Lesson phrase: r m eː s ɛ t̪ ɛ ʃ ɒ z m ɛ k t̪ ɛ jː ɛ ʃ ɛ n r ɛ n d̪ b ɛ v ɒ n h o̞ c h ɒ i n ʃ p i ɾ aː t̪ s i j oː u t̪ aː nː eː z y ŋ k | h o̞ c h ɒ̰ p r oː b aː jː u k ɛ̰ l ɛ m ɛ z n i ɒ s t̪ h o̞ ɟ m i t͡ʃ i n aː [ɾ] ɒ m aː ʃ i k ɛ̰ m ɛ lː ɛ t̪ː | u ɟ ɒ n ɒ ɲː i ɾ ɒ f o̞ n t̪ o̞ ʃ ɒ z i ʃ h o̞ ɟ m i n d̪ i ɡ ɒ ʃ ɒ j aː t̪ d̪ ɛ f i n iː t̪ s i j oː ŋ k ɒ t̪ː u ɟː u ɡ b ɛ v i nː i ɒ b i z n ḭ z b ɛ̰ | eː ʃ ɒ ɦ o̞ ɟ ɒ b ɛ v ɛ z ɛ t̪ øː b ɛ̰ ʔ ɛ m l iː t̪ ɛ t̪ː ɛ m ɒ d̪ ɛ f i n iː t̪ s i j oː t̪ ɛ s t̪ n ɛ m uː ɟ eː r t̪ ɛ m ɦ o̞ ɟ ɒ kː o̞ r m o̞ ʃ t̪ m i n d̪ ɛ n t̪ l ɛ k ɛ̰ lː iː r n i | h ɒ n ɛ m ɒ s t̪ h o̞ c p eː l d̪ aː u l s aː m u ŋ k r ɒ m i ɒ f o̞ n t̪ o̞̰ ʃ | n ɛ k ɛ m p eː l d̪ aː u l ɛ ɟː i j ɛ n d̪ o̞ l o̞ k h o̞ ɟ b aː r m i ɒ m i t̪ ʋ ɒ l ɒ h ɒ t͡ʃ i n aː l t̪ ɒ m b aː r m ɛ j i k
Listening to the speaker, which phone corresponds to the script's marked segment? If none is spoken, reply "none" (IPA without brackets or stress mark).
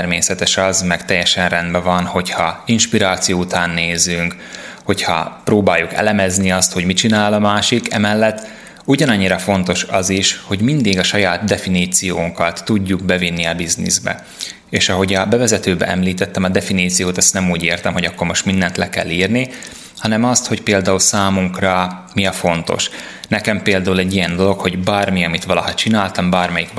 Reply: l